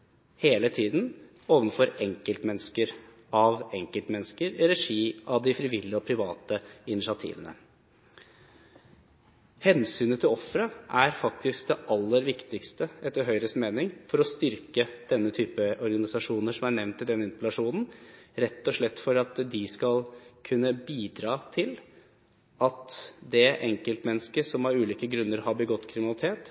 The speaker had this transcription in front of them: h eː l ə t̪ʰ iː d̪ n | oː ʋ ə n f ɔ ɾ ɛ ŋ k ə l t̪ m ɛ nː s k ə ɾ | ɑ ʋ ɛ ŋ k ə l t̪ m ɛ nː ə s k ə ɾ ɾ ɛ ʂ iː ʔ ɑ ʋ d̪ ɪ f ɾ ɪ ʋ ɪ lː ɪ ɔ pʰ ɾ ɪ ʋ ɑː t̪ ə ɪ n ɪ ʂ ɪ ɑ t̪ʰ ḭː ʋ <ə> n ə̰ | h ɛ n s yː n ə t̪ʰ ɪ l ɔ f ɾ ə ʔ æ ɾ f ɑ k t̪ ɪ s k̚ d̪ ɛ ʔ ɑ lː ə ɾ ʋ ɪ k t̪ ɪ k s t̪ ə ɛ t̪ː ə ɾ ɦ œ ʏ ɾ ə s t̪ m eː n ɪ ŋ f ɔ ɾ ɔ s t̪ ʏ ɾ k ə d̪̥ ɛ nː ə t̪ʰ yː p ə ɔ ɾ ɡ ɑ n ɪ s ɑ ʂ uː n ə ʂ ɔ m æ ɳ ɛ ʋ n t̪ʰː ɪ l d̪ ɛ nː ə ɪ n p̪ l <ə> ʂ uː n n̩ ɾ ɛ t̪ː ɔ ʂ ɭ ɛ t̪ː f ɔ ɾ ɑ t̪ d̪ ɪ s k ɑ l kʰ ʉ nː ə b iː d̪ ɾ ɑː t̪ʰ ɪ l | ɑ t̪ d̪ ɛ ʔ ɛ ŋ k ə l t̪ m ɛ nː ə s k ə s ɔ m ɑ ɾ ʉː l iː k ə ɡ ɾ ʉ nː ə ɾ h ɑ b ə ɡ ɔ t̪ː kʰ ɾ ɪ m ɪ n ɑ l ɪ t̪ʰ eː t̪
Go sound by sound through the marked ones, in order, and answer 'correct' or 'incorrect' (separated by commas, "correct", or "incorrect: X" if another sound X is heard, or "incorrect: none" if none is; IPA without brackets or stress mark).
correct, incorrect: ɑ